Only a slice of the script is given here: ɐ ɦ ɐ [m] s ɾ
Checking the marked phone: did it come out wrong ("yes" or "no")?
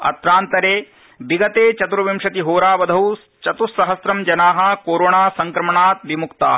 yes